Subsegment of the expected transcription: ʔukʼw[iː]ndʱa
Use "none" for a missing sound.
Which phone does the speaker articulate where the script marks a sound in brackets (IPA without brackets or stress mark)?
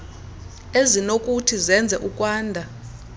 aː